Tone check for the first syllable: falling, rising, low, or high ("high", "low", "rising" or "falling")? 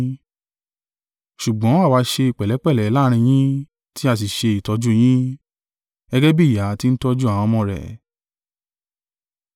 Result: low